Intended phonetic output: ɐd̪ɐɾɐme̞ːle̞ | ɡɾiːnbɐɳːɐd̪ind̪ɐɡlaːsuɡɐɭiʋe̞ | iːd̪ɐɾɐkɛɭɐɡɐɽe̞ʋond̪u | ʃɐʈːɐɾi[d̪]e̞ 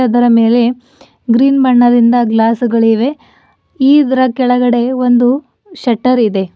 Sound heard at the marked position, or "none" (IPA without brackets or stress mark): d̪